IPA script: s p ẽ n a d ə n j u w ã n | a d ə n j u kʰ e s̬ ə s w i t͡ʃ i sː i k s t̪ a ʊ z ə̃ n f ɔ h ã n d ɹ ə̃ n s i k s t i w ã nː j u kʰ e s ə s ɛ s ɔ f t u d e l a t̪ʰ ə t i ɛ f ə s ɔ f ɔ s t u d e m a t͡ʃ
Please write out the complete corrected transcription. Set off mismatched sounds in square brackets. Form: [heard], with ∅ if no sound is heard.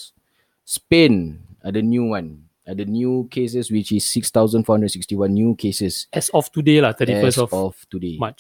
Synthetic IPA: s p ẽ n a d ə n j u w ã n | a d ə n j u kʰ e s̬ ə s w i t͡ʃ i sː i k s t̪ a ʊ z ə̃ n f ɔ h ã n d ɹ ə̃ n s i k s t i w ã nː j u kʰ e s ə s ɛ s ɔ f t u d e l a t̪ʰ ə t i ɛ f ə s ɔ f ɔ [f] t u d e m a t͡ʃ